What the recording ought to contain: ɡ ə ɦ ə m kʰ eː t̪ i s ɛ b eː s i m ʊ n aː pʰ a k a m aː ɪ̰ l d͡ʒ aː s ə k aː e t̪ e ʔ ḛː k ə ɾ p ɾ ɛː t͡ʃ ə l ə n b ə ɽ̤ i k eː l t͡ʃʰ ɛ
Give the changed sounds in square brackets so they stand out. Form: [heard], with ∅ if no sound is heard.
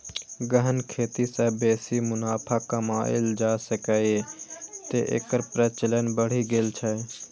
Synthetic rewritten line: ɡ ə ɦ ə [n] kʰ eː t̪ i s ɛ b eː s i m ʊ n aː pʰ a k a m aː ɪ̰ l d͡ʒ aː s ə k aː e t̪ e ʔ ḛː k ə ɾ p ɾ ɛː t͡ʃ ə l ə n b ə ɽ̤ i [ɡ] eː l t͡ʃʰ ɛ